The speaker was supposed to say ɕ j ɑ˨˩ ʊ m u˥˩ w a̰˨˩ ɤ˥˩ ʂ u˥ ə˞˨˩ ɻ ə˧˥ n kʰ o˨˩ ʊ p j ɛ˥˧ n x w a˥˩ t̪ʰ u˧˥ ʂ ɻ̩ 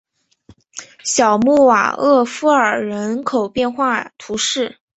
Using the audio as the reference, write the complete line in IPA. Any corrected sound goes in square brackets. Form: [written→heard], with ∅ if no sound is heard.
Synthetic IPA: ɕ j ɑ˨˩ ʊ m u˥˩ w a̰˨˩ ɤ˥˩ [ʂ→f] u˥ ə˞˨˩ ɻ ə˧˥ n kʰ o˨˩ ʊ p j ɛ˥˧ n x w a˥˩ t̪ʰ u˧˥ ʂ ɻ̩

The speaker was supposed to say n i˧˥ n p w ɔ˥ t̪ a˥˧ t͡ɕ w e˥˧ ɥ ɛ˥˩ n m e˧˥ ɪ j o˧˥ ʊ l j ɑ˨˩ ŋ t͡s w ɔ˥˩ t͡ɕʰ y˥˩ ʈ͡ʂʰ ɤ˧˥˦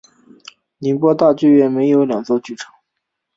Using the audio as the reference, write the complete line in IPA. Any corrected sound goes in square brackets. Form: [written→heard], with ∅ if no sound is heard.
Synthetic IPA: n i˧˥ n p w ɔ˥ t̪ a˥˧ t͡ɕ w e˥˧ ɥ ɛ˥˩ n m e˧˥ ɪ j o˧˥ ʊ l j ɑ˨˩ ŋ t͡s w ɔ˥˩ [t͡ɕʰ→t͡ɕ] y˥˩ ʈ͡ʂʰ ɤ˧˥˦

